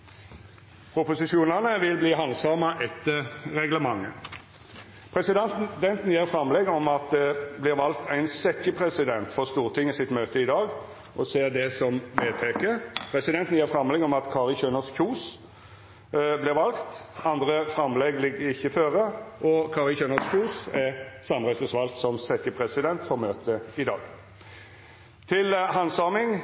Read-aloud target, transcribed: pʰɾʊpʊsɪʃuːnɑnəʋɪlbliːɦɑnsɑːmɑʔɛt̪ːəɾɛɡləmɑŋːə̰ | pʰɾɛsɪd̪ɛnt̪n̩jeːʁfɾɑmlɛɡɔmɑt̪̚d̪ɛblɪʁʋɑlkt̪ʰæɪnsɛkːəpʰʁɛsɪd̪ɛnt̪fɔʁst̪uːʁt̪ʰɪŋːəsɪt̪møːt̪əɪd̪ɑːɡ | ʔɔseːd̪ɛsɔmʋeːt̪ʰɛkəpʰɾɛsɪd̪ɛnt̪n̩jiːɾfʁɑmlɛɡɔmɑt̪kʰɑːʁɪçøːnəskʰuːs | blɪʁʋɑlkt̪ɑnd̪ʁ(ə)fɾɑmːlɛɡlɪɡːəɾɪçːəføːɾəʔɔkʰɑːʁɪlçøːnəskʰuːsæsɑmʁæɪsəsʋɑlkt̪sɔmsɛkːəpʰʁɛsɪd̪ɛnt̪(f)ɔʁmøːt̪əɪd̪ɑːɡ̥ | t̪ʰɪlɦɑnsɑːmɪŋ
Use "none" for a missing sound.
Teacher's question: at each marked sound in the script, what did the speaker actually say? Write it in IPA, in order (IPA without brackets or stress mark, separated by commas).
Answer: ə, f